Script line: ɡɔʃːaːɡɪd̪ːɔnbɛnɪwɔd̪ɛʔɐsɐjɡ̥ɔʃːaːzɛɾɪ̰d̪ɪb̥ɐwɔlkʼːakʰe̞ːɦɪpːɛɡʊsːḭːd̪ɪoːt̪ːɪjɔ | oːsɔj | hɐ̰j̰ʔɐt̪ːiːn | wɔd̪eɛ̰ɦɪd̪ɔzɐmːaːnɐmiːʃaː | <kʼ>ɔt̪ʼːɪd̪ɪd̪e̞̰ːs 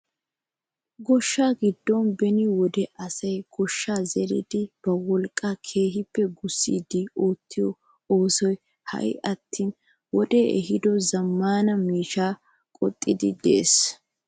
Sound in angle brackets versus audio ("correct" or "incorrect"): correct